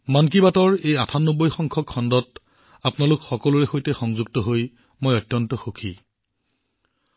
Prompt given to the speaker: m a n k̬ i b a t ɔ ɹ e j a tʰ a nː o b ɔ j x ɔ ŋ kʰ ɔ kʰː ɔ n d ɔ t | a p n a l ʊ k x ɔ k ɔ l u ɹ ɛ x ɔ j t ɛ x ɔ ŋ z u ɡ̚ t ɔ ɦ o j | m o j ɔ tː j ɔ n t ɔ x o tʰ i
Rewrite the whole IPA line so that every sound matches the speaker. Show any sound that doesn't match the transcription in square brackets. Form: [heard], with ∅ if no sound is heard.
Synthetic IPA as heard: m a n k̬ i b a t ɔ ɹ e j a tʰ a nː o b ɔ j x ɔ ŋ kʰ ɔ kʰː ɔ n d ɔ t | a p n a l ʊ k x ɔ k ɔ l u ɹ ɛ x [o] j t ɛ x ɔ ŋ z u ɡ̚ t ɔ ɦ o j | m o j ɔ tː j ɔ n t ɔ x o [kʰ] i